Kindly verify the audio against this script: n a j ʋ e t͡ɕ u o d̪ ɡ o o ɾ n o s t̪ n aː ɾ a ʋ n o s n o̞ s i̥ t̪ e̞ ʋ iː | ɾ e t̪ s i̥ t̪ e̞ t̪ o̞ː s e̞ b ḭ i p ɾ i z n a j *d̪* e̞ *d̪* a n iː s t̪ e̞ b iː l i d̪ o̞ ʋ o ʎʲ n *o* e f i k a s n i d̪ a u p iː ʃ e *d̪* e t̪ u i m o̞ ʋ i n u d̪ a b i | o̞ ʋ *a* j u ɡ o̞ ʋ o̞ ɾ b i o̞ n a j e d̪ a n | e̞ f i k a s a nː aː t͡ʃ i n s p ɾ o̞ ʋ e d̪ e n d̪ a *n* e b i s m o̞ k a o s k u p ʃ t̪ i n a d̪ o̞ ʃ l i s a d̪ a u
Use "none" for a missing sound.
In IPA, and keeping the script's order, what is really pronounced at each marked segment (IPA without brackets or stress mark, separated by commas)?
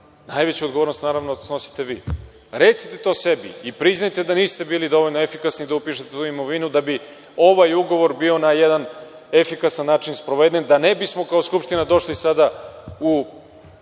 t̪, d̪, o, t̪, a, n